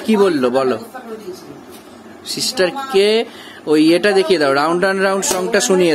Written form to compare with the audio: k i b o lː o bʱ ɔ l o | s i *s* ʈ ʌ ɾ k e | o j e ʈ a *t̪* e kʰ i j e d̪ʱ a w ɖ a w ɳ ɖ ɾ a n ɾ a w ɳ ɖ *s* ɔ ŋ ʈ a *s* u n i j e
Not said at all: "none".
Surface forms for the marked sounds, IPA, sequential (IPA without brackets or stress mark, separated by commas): s, d̪, s, s